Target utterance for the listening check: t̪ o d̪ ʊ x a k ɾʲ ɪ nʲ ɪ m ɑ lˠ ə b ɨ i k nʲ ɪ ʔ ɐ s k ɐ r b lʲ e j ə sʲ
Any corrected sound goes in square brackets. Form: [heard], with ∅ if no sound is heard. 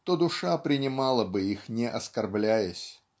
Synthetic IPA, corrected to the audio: t̪ o d̪ ʊ [ʂ] a [p] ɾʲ ɪ nʲ ɪ m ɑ lˠ ə b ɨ i [x] nʲ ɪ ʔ ɐ s k ɐ r b lʲ [æ] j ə sʲ